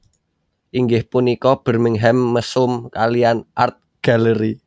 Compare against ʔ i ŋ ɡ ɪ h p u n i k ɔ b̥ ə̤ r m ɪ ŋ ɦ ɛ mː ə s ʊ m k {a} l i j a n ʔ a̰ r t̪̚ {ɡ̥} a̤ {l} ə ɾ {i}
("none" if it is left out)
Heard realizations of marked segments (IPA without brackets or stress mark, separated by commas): a, ɡ̥, l, i